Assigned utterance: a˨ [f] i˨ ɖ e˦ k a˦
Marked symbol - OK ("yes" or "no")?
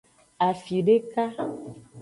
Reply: yes